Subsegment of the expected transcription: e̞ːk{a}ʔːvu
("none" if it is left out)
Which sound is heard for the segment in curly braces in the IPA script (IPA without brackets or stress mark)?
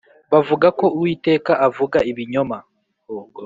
a